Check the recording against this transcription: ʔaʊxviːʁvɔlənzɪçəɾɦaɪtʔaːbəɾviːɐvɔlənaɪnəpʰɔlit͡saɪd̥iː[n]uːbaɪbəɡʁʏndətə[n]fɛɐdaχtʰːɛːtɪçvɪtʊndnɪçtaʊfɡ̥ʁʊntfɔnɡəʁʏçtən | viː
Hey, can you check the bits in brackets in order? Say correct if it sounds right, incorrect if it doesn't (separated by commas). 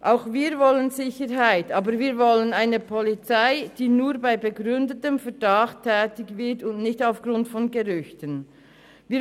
correct, incorrect